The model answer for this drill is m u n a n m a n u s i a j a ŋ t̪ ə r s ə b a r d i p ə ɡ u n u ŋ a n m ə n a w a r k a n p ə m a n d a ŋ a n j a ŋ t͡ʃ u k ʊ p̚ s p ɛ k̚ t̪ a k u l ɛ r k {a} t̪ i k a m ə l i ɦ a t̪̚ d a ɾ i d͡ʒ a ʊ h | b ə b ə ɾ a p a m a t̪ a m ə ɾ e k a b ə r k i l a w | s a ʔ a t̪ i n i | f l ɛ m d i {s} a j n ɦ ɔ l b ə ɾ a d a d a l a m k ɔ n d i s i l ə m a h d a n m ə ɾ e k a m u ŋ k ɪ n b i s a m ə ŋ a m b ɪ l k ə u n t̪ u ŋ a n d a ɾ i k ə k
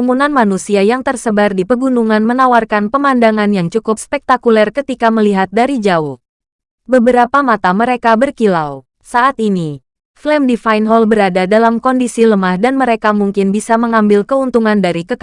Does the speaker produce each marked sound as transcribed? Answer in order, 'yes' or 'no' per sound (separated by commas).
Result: no, no